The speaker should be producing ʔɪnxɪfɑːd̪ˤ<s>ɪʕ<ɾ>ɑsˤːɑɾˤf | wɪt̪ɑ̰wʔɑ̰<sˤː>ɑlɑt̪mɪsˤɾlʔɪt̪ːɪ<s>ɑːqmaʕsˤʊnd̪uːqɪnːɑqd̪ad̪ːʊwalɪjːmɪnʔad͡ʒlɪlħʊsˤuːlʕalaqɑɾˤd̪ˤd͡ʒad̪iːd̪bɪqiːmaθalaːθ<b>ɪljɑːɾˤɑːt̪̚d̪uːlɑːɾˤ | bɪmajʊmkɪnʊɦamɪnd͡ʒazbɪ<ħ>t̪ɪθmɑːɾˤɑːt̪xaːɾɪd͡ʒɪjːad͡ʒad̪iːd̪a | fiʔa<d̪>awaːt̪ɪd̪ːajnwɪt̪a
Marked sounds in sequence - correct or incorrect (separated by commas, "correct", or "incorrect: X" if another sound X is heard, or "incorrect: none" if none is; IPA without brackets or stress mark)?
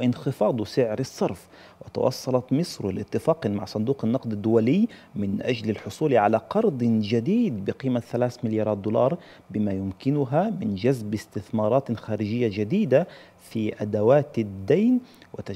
correct, correct, correct, incorrect: f, incorrect: m, incorrect: s, correct